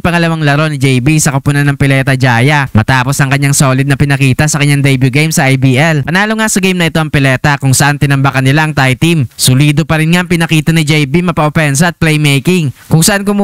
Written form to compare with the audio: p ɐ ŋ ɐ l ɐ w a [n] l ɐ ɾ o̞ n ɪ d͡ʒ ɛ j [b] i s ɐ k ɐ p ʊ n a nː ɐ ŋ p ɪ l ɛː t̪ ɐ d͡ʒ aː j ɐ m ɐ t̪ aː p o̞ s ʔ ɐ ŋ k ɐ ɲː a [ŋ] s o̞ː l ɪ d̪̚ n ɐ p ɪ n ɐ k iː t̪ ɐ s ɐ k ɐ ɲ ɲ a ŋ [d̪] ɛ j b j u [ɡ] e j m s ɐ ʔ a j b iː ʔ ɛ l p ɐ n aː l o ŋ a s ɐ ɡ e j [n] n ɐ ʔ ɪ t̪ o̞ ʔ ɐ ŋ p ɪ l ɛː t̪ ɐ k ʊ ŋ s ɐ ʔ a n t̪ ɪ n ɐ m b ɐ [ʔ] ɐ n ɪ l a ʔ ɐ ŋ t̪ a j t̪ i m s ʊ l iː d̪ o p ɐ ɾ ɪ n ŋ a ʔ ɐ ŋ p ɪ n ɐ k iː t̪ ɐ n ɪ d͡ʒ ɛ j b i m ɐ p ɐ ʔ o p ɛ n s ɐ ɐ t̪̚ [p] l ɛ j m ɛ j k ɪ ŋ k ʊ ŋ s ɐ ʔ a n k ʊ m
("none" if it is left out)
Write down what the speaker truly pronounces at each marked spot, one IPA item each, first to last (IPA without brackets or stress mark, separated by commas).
ŋ, b, ŋ, d̪, ɡ, m, k, p